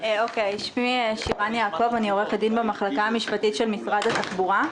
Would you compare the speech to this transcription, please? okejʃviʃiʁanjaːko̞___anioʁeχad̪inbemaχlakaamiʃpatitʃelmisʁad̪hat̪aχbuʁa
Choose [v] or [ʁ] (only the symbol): v